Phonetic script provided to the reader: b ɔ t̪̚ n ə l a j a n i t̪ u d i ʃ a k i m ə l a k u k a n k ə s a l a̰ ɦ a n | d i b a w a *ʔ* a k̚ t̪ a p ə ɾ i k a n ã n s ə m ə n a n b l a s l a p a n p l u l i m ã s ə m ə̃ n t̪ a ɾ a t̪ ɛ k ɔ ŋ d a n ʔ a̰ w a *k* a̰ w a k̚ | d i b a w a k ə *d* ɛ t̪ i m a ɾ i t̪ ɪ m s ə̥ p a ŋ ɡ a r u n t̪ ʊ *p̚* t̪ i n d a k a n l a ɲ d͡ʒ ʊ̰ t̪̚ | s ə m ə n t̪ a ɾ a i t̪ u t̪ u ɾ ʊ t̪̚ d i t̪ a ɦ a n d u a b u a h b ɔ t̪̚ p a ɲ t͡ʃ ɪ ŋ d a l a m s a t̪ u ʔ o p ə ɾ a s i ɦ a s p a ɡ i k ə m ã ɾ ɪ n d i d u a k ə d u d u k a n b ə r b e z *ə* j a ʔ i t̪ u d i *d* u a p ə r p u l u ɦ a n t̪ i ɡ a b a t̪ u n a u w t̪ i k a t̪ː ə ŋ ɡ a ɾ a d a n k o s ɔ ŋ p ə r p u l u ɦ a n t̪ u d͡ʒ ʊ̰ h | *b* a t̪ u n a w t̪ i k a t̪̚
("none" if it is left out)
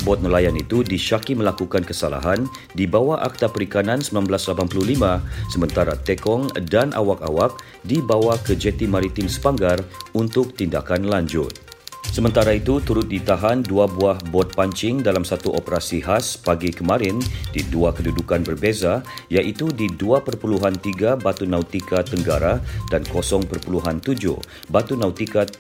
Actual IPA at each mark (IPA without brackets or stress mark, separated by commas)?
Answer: ʔ, k, d͡ʒ, k̚, a, d, b